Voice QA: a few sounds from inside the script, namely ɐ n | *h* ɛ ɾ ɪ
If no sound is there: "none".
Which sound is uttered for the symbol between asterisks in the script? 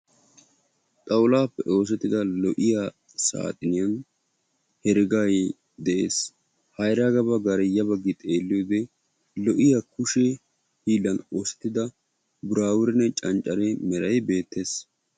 h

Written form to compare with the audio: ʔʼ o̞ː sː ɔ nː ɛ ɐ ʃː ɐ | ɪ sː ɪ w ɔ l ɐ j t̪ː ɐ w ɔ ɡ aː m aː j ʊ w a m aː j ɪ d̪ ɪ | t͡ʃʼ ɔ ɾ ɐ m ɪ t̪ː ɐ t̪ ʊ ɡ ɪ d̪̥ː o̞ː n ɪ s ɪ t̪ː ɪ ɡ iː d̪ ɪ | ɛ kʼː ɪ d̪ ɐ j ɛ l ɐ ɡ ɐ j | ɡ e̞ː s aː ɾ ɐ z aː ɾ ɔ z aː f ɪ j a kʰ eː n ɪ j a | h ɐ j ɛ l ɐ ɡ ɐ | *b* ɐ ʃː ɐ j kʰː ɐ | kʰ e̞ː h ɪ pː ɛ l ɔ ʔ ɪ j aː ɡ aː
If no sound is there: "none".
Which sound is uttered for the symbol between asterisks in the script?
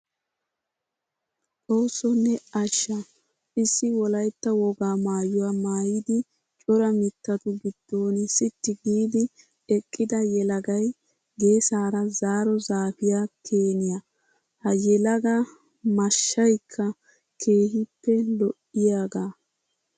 m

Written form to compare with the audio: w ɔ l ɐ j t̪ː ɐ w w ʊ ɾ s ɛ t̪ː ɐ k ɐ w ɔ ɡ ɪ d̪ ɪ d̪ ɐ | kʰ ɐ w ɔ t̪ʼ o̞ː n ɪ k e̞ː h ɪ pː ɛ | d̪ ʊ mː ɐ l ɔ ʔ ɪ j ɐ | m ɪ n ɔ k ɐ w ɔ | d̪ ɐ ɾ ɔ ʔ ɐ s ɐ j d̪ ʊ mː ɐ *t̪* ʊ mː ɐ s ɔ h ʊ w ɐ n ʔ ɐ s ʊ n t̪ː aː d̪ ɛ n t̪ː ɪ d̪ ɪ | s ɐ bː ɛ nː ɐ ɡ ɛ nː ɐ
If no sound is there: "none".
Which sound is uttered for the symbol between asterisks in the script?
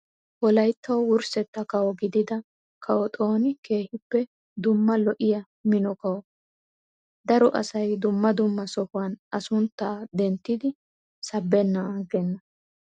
d̪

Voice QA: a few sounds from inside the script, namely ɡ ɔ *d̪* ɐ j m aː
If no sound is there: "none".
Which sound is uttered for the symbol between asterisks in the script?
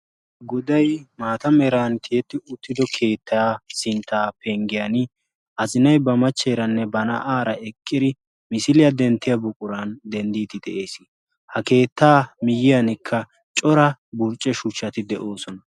d̪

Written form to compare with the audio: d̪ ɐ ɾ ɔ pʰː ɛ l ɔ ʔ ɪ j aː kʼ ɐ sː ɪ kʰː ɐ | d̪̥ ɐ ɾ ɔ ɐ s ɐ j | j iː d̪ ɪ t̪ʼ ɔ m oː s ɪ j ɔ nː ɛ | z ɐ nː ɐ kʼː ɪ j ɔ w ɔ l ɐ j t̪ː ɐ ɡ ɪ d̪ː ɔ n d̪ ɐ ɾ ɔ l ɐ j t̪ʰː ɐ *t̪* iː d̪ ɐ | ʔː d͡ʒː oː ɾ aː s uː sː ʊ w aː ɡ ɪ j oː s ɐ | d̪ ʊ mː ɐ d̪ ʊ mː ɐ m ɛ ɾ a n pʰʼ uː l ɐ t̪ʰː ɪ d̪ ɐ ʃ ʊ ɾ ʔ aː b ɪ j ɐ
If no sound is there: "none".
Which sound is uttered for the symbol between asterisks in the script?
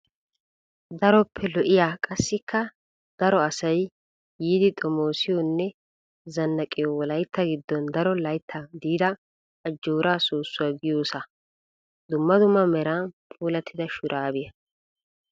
d̪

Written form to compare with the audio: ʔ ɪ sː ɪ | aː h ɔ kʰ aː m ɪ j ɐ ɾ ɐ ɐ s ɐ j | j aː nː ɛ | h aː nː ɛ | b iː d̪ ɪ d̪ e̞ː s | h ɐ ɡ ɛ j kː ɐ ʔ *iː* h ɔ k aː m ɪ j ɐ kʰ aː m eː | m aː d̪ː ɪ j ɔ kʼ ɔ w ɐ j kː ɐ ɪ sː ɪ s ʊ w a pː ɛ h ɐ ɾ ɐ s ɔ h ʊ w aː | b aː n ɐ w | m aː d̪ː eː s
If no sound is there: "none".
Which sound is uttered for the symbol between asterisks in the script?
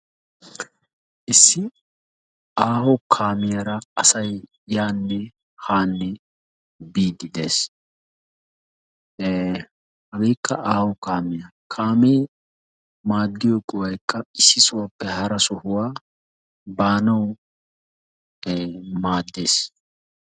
aː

